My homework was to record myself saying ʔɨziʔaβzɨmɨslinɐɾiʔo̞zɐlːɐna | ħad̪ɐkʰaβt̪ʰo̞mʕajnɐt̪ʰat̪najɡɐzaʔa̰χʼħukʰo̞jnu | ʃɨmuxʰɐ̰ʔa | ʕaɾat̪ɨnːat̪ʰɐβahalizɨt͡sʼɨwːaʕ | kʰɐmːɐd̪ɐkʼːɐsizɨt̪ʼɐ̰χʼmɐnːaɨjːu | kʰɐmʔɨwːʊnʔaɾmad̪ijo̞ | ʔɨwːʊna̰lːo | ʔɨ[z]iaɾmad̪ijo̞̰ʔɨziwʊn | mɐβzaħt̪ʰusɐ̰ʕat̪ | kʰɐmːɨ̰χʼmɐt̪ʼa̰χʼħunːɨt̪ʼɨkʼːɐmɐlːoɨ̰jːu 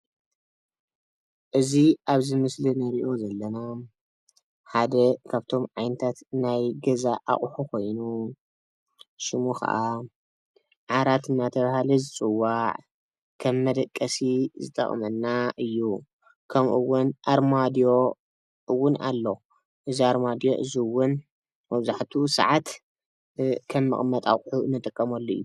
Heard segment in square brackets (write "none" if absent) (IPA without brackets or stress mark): z